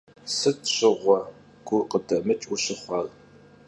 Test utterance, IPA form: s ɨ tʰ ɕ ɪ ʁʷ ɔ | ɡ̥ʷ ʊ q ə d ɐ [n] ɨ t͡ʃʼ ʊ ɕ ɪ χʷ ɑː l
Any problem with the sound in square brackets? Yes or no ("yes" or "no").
yes